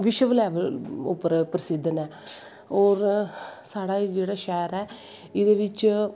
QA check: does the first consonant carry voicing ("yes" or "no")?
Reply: yes